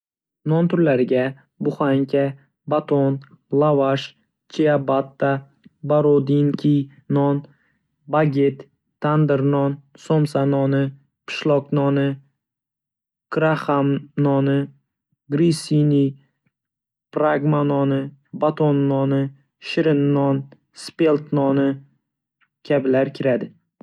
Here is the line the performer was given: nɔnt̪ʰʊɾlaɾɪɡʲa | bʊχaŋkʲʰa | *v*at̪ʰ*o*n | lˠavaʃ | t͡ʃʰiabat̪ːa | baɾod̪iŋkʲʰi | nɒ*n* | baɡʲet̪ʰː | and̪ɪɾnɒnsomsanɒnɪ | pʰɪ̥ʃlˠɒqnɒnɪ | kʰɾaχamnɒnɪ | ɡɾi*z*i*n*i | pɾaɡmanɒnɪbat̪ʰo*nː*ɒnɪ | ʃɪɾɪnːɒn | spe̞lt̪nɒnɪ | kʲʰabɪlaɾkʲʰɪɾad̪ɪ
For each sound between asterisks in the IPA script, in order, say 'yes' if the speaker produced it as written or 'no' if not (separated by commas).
no, yes, yes, no, yes, yes